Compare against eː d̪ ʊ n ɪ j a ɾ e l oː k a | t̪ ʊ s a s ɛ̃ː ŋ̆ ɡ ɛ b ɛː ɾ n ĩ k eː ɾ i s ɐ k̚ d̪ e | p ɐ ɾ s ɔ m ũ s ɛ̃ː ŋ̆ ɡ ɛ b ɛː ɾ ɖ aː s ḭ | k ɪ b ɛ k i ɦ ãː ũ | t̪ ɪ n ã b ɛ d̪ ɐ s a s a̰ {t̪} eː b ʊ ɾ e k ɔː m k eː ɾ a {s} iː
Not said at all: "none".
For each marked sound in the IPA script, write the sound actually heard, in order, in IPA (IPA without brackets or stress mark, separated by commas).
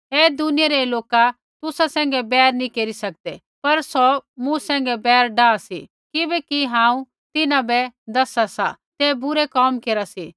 t̪, s